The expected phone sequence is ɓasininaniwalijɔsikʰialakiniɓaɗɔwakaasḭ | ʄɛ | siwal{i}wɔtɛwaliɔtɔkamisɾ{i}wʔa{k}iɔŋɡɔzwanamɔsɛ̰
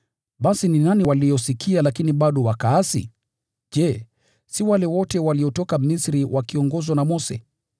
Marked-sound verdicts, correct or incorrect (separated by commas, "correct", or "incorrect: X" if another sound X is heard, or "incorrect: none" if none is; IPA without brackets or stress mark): incorrect: ɛ, correct, correct